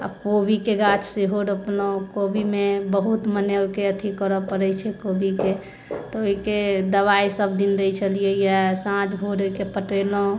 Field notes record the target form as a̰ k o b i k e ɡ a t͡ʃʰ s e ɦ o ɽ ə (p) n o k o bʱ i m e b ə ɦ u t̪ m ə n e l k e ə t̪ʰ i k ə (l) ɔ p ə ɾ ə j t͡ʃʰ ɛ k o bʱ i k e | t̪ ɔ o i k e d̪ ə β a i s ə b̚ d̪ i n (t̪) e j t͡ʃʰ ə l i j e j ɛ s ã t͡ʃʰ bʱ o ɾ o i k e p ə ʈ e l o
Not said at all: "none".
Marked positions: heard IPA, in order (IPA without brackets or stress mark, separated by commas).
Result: p, ɾ, d̪